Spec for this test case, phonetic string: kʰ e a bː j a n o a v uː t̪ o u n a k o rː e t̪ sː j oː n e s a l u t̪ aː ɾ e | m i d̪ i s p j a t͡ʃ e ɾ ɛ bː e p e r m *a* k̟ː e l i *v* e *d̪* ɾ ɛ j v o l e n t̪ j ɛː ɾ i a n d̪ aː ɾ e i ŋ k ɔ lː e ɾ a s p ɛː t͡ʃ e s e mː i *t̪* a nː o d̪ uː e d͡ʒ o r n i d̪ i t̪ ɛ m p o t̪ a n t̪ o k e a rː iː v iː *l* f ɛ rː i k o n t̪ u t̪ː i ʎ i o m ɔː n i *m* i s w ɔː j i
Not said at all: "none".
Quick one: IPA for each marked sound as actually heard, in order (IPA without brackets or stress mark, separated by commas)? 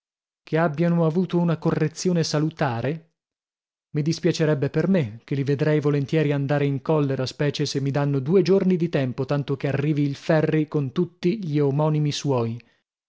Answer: e, v, d̪, d̪, l, m